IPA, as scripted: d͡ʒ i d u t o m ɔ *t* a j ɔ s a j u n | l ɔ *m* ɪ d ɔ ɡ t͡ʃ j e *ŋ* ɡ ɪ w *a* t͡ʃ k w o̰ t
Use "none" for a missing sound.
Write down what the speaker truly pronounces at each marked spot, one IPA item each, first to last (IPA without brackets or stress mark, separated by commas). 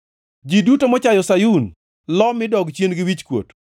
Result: t͡ʃ, m, n, i